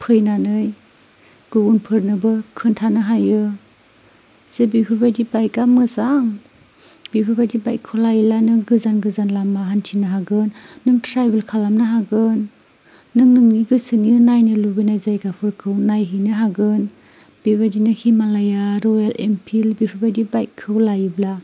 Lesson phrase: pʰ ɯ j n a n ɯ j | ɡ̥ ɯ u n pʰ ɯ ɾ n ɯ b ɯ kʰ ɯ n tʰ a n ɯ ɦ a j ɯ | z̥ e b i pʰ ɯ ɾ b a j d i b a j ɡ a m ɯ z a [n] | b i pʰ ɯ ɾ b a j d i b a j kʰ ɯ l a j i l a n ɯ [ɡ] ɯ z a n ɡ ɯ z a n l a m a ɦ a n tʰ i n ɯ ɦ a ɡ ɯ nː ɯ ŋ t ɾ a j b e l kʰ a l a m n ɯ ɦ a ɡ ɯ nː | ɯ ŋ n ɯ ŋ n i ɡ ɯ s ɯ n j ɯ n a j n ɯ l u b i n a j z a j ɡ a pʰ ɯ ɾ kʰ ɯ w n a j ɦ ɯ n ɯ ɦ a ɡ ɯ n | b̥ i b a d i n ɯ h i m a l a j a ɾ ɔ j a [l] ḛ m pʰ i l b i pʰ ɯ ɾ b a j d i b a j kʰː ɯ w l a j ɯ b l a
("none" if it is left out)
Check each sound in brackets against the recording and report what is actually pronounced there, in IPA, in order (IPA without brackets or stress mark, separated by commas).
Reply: ŋ, ɡ, l